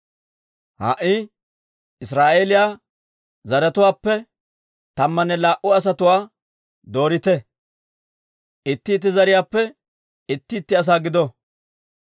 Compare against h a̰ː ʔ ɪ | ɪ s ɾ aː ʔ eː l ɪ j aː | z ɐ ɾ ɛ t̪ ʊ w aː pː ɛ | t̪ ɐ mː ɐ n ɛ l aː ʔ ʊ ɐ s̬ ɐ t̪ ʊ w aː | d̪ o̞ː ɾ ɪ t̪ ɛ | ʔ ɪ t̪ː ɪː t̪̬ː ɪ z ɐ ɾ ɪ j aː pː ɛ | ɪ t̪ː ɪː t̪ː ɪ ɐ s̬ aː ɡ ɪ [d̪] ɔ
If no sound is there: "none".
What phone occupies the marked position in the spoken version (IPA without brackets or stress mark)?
d̪